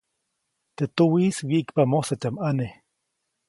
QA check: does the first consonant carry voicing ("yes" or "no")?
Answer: no